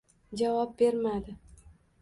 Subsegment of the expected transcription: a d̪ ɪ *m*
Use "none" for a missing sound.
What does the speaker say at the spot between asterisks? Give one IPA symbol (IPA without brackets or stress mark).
none